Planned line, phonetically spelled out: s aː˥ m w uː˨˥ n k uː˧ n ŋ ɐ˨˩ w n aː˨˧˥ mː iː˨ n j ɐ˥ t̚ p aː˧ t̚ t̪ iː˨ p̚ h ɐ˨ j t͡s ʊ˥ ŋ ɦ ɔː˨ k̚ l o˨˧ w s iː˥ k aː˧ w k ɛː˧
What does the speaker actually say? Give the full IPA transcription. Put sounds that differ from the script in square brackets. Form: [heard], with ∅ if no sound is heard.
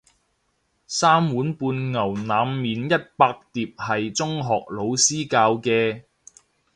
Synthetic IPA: s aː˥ m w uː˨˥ n [p] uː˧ n ŋ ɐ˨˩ w n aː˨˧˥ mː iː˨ n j ɐ˥ t̚ p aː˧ [k̚] t̪ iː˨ p̚ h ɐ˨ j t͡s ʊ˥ ŋ ɦ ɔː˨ k̚ l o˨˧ w s iː˥ k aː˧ w k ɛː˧